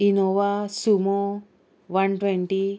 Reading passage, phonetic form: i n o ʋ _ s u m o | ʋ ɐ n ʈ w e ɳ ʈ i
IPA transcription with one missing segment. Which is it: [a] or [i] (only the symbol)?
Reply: a